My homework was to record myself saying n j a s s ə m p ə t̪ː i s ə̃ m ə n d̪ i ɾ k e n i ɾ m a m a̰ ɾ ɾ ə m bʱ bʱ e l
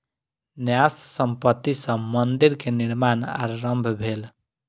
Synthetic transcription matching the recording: n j a s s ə m p ə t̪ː i s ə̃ m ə n d̪ i ɾ k e n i ɾ m a n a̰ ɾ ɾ ə m bʱ bʱ e l